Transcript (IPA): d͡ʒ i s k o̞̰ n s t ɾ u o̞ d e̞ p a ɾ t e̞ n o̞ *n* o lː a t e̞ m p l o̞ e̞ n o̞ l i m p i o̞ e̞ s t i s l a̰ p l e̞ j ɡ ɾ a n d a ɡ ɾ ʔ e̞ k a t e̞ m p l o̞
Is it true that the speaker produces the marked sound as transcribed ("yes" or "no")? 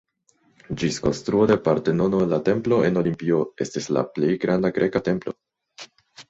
yes